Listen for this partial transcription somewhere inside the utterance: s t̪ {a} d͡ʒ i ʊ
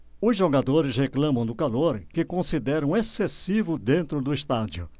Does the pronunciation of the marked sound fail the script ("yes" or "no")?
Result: no